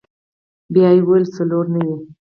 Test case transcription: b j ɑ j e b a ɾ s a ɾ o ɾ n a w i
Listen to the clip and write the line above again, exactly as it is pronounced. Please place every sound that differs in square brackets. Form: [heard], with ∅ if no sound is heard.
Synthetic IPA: b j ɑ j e [w] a [l] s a [l] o ɾ n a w i